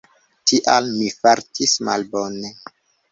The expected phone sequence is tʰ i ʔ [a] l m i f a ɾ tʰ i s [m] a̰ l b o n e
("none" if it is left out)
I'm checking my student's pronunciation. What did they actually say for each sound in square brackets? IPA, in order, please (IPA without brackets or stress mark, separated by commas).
a, m